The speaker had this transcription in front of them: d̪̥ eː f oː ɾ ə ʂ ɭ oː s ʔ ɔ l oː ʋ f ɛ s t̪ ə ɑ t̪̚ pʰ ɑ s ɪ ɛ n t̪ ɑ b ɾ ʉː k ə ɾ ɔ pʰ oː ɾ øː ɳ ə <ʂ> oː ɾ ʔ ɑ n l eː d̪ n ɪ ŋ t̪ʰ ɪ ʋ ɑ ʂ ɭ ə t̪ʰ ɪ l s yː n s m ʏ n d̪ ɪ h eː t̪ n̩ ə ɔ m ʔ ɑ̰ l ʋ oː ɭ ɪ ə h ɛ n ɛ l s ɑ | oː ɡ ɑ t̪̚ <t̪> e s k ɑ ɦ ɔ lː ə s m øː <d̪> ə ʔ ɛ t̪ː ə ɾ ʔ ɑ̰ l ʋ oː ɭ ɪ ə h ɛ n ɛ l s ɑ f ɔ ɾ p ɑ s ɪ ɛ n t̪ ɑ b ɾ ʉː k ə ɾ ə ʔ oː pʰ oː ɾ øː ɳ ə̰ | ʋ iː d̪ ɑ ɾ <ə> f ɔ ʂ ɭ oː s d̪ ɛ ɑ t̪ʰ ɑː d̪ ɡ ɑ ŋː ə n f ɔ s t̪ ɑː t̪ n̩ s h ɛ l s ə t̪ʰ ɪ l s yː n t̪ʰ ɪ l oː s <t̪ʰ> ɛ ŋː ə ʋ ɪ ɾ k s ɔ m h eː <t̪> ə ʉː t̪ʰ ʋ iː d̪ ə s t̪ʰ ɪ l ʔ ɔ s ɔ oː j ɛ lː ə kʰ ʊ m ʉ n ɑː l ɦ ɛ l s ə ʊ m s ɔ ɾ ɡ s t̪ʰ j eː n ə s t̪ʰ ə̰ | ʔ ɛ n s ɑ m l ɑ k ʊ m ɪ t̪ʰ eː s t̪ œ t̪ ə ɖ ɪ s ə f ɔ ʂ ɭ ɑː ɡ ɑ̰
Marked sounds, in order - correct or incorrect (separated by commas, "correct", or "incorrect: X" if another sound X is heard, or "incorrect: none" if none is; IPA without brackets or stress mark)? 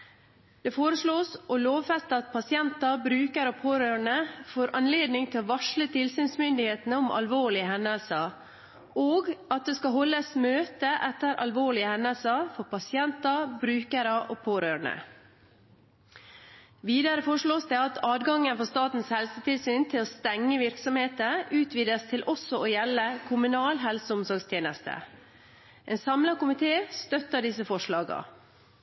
incorrect: f, incorrect: d̪, incorrect: t̪, correct, incorrect: t̪, correct